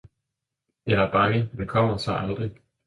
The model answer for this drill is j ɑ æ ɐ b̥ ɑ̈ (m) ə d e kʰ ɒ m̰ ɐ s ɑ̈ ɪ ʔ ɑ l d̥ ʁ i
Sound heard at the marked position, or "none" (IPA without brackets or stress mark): ŋ